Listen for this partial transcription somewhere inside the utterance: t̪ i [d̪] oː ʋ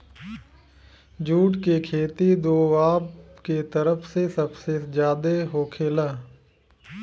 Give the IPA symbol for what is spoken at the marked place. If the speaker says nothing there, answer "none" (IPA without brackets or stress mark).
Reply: d̪